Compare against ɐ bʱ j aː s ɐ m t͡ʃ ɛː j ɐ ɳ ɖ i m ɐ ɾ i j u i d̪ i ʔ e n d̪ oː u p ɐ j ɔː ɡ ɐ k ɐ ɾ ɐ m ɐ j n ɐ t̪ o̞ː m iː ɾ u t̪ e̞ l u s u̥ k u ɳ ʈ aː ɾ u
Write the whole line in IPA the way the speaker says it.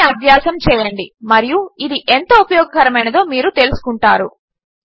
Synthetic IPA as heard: ɐ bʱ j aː s ɐ m t͡ʃ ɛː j ɐ ɳ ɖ i m ɐ ɾ i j u i d̪ i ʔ e n t̪ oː u p ɐ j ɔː ɡ ɐ k ɐ ɾ ɐ m ɐ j n ɐ d̪ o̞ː m iː ɾ u t̪ e̞ l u s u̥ k u ɳ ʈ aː ɾ u